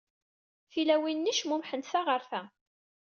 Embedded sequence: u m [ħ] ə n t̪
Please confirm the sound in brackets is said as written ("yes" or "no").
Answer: yes